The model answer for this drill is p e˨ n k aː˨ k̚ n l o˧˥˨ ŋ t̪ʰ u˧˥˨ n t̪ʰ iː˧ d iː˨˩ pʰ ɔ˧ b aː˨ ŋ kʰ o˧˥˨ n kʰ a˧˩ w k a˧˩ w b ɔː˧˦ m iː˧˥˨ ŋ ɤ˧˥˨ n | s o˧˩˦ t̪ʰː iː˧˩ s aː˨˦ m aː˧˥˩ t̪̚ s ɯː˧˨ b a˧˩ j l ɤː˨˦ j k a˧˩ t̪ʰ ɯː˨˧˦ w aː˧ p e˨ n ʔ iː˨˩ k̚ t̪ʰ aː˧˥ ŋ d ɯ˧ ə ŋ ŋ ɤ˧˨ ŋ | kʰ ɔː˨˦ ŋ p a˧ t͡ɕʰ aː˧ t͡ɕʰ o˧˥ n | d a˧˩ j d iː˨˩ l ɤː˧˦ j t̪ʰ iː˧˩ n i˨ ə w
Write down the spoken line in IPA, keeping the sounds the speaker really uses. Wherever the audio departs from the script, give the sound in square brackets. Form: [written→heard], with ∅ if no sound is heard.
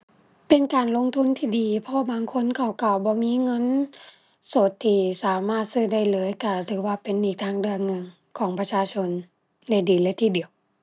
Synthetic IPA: p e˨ n k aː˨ [k̚→∅] n l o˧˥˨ ŋ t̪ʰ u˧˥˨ n t̪ʰ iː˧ d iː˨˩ pʰ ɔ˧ b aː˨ ŋ kʰ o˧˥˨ n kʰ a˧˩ w k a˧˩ w b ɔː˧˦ m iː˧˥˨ ŋ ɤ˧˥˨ n | s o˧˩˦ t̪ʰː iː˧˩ s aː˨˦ m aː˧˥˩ t̪̚ s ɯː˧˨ [b→d] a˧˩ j l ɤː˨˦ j k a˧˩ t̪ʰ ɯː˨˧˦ w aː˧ p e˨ n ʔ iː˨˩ k̚ t̪ʰ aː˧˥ ŋ d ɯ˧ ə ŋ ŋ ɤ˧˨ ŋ | kʰ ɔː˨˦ ŋ p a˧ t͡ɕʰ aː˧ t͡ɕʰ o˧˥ n | d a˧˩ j d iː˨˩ l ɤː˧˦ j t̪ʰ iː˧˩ [n→d] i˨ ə w